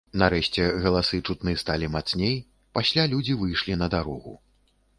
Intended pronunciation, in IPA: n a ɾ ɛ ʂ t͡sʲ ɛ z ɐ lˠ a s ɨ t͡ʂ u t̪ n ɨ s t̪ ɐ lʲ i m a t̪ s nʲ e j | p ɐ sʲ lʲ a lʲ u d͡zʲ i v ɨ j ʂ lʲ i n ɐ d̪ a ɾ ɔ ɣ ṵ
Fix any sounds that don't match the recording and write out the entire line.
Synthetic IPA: n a ɾ ɛ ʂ t͡sʲ ɛ ɣ ɐ lˠ a s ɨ t͡ʂ u t̪ n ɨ s t̪ a lʲ i m a t̪ s nʲ e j | p a sʲ lʲ a lʲ u d͡zʲ i v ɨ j ʂ lʲ i n ɐ d̪ a ɾ ɔ ɣ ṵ

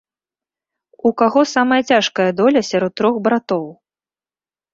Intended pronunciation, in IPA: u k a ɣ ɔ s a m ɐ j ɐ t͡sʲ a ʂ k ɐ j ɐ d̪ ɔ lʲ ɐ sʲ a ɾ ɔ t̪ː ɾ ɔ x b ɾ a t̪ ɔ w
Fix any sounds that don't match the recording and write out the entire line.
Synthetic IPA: u k a ɣ ɔ s a m ɐ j ɐ t͡sʲ a ʂ k ɐ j ɐ d̪ ɔ lʲ ɐ sʲ a ɾ ɔ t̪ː ɾ ɔ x b ɾ a t̪ ɔ w

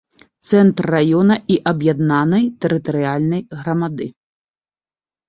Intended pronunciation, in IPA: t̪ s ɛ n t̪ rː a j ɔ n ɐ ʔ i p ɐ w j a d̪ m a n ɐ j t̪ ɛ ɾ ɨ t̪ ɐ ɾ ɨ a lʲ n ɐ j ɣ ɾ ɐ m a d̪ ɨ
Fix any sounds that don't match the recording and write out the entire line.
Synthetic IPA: t̪ s ɛ n t̪ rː a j ɔ n ɐ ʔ i ʔ ɐ b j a d̪ n a n ɐ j t̪ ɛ ɾ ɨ t̪ ɐ ɾ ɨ a lʲ n ɐ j ɣ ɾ ɐ m a d̪ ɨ

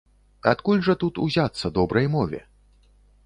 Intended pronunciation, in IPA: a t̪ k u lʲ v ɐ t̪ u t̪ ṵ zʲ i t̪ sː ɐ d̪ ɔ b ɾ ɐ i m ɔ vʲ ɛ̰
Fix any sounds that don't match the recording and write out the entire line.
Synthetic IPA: a t̪ k u lʲ ʐ ɐ t̪ u t̪ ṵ zʲ a t̪ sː ɐ d̪ ɔ b ɾ ɐ j m ɔ vʲ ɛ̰

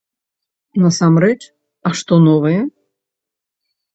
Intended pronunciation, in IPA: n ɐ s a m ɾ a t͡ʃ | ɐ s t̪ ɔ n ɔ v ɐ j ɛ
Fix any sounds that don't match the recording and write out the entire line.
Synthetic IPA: n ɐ s a m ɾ ɛ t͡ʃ | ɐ ʂ t̪ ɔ n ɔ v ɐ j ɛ

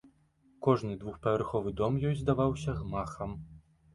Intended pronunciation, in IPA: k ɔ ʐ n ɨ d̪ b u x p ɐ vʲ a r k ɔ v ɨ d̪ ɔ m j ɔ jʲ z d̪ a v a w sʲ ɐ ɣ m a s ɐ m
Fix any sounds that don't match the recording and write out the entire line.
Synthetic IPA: k ɔ ʐ n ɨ d̪ v u x p ɐ vʲ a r x ɔ v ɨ d̪ ɔ m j ɔ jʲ z d̪ a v a w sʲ ɐ ɣ m a x ɐ m

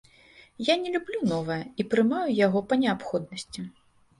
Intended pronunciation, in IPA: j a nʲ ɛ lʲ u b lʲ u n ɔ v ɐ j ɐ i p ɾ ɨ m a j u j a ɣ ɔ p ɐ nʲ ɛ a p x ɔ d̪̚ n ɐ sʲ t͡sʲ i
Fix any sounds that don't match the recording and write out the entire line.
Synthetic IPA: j a nʲ ɛ lʲ u b lʲ u n ɔ v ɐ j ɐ i p ɾ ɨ m a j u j a ɣ ɔ p ɐ nʲ ɛ a p x ɔ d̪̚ n ɐ sʲ t͡sʲ i

